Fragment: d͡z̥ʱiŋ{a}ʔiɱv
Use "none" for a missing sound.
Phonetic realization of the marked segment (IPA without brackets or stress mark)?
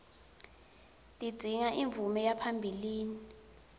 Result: a